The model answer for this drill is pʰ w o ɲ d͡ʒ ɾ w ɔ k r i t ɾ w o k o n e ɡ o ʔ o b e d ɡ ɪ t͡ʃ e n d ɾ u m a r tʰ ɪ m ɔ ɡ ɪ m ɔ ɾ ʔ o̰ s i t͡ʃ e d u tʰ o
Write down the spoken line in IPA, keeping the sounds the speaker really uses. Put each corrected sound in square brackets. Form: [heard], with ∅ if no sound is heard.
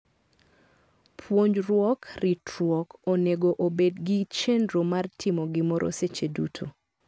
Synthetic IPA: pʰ w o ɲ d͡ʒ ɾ w ɔ k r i t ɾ w [ɔ] k o n e ɡ o ʔ o b e d ɡ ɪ t͡ʃ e n d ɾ [o] m a r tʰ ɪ m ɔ ɡ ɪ m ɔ ɾ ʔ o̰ s [e] t͡ʃ e d u tʰ o